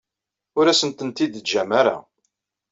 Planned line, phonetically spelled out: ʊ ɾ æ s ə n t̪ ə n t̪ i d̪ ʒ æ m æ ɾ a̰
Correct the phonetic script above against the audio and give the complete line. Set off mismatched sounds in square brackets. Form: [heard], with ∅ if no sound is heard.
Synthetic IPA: ʊ ɾ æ s ə n t̪ ə n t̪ i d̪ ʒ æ m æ ɾ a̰